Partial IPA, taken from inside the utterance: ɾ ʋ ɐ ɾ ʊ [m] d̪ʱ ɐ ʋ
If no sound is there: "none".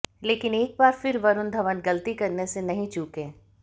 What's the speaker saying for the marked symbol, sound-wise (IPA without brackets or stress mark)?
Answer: n